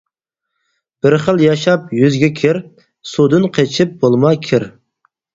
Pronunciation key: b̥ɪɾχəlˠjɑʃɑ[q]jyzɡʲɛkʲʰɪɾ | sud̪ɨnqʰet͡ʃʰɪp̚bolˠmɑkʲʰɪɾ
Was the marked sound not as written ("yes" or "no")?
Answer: yes